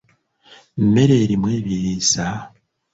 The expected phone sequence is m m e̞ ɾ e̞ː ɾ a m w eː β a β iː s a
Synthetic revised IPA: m m e̞ ɾ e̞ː ɾ i m w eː β i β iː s a